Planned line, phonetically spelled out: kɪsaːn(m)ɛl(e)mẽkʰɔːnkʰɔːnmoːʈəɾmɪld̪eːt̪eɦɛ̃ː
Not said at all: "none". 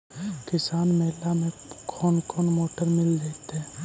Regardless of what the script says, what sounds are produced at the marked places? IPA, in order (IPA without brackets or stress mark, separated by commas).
m, a